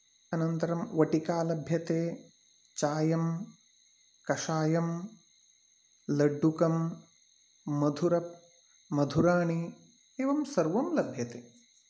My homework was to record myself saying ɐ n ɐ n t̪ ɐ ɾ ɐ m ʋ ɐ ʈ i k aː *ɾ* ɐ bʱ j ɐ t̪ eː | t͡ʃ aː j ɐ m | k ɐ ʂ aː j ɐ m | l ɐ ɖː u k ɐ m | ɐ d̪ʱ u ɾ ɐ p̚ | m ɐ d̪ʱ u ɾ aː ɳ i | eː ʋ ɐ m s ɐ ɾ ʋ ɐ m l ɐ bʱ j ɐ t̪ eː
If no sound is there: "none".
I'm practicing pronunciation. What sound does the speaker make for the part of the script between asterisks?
l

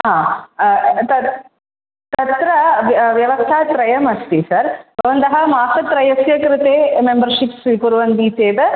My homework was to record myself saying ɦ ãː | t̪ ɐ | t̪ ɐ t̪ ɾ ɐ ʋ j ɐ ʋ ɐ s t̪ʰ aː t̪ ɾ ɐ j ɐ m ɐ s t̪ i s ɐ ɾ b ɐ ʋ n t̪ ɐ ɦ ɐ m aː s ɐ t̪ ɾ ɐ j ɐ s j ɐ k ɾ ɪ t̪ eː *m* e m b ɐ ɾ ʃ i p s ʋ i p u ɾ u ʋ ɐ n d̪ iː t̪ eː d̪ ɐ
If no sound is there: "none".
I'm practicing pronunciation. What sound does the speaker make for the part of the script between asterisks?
m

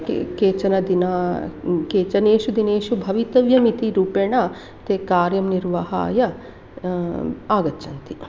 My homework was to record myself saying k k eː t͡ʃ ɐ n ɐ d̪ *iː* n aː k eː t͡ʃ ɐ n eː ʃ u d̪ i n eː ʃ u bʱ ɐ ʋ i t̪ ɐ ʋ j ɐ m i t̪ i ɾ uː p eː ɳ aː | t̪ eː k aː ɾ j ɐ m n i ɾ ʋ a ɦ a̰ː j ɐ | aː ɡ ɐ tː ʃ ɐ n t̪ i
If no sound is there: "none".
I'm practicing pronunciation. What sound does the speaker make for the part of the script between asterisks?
i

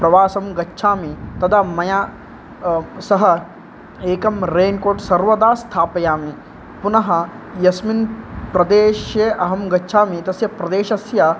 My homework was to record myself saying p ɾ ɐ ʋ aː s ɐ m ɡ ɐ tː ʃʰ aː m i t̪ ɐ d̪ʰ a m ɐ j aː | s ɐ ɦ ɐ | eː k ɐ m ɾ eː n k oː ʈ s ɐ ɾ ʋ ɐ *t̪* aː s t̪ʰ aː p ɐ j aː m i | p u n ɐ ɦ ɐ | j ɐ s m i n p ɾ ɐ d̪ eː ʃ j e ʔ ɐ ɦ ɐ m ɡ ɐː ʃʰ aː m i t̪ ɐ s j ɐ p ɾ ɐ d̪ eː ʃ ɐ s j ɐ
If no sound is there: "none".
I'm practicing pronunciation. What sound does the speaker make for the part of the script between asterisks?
d̪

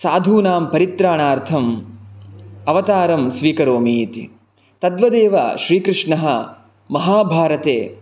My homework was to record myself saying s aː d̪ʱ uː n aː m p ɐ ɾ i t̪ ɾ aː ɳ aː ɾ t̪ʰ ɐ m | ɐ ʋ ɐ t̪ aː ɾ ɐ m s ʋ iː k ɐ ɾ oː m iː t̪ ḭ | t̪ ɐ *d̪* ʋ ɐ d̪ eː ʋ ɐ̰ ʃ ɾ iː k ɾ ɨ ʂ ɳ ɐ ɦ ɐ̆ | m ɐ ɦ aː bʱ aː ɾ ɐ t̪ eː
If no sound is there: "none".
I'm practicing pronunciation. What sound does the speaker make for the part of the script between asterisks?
d̪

